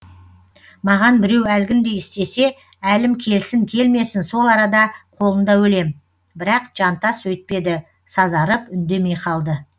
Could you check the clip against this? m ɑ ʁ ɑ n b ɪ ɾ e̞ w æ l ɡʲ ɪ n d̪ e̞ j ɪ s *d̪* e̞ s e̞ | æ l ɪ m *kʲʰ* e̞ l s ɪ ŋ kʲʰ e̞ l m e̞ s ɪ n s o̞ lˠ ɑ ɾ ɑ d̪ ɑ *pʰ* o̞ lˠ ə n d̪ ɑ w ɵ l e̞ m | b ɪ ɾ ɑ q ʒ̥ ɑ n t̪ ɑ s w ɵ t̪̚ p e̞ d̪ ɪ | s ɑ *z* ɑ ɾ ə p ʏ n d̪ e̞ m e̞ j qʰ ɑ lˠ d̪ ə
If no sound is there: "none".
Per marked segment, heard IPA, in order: t̪, kʲʰ, qʰ, z

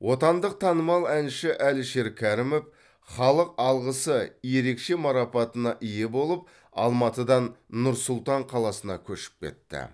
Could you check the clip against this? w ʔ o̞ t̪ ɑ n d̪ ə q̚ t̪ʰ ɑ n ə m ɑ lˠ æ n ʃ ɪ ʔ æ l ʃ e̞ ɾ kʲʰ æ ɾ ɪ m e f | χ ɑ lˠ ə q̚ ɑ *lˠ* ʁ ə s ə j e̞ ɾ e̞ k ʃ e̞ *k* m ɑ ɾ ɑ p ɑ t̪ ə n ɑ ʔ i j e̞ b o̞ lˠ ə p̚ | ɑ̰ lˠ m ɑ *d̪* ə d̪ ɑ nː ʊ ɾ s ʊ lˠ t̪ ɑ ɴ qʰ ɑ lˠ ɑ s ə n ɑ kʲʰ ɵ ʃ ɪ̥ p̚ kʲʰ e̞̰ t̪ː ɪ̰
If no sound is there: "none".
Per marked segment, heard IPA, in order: lˠ, none, t̪

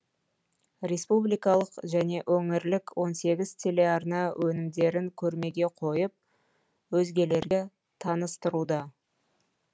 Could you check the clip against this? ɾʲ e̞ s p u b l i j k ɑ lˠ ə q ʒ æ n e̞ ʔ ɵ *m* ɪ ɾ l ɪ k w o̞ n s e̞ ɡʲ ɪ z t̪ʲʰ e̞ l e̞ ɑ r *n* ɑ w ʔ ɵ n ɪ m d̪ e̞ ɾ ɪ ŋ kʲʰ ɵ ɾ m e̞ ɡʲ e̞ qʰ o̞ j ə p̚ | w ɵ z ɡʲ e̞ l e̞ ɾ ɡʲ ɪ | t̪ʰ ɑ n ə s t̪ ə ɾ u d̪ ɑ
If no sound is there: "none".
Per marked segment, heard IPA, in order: ŋ, n

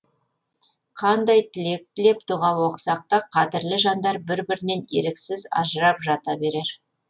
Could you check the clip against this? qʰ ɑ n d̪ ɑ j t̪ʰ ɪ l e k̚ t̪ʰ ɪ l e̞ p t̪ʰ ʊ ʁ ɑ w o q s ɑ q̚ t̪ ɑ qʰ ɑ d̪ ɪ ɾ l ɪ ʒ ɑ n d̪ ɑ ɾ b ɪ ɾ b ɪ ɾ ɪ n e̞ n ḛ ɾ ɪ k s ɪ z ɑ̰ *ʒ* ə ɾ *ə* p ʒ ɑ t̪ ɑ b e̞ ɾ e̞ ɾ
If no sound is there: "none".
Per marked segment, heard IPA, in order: ʒ, ɑ

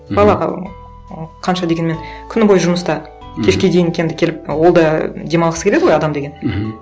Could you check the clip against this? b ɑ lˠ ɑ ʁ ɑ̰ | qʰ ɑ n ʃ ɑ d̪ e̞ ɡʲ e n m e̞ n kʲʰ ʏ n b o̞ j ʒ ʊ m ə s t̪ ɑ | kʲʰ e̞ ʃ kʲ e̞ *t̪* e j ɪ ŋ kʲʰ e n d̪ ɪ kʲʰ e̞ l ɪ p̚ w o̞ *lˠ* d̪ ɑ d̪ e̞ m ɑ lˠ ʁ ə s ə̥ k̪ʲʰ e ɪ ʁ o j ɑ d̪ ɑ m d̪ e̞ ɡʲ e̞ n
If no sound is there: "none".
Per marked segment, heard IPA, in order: d̪, lˠ

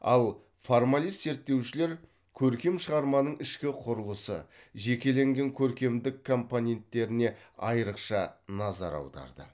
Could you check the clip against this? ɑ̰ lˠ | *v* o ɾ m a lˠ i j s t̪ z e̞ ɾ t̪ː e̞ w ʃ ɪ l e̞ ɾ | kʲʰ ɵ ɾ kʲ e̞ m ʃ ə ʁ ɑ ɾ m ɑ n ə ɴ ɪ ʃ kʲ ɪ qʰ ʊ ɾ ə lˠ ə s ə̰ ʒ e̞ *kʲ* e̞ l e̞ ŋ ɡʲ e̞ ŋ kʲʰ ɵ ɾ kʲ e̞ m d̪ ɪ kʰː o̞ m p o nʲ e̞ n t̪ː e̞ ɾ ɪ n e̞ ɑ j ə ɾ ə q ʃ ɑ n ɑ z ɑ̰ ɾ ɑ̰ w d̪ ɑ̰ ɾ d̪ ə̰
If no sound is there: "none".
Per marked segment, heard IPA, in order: f, kʲ

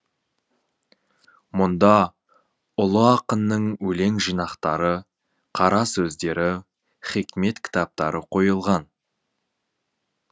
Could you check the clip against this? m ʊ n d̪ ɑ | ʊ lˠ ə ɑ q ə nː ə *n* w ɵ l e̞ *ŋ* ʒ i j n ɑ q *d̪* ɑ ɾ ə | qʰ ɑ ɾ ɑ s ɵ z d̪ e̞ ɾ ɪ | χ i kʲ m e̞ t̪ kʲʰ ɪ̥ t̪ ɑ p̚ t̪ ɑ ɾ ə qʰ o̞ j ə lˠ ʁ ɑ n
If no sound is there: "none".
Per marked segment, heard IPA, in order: ɴ, ŋ, t̪

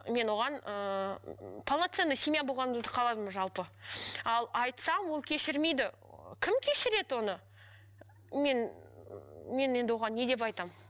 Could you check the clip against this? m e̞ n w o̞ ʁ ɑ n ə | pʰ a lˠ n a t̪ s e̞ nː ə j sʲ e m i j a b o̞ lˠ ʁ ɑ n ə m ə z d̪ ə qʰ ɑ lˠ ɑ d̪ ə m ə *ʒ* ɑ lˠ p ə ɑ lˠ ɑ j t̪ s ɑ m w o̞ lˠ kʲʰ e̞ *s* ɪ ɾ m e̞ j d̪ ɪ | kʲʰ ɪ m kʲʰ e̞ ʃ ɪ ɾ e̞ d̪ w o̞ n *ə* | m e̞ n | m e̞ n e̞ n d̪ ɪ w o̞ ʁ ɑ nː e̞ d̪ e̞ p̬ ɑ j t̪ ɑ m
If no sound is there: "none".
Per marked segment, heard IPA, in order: ʒ, ʃ, ə

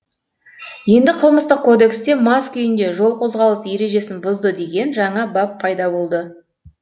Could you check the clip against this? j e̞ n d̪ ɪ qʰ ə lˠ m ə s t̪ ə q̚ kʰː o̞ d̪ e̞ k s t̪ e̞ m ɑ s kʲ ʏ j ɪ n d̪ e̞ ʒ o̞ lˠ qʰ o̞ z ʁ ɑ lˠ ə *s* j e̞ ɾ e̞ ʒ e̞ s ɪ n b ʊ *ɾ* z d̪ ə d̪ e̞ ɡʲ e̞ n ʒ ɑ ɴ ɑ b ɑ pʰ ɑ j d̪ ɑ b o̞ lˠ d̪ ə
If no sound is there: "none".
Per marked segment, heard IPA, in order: s, none

